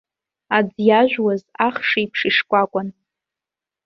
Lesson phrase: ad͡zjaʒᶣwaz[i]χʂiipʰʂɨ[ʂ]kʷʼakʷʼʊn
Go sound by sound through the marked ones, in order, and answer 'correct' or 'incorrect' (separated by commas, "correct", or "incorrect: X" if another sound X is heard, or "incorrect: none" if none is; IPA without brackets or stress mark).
incorrect: a, correct